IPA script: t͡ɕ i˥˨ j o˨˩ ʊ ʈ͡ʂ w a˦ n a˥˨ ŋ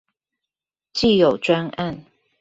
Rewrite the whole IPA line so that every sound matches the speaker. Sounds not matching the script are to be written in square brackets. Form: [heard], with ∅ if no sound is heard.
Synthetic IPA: t͡ɕ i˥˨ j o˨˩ ʊ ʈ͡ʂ w a˦ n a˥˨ [n]